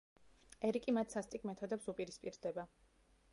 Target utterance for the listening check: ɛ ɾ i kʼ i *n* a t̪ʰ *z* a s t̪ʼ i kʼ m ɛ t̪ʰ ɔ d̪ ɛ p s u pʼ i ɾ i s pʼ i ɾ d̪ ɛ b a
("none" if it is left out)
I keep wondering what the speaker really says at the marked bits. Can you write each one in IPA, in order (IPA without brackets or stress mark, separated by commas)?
m, s